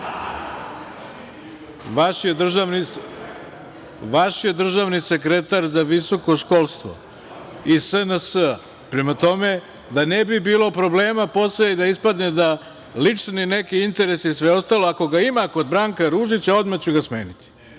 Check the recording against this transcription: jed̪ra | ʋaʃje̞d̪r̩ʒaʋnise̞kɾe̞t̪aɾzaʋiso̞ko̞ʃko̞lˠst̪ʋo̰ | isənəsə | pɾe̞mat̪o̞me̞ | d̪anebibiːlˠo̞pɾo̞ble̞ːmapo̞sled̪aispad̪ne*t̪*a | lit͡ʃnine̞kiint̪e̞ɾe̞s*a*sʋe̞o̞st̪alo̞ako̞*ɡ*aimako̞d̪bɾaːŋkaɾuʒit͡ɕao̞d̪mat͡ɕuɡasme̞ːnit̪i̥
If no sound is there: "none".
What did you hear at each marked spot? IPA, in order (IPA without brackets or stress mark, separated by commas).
d̪, i, ɡ